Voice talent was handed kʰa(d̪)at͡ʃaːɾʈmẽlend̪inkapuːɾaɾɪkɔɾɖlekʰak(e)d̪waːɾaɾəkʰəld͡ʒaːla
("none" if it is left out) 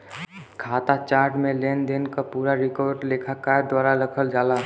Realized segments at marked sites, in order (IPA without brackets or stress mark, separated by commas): t̪, a